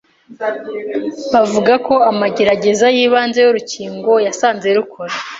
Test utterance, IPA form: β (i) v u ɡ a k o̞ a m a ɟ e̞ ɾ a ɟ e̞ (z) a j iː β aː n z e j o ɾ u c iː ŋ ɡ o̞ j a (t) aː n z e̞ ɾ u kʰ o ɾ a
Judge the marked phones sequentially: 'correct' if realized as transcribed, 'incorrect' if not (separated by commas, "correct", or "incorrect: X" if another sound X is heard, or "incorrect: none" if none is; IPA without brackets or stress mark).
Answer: incorrect: a, correct, incorrect: s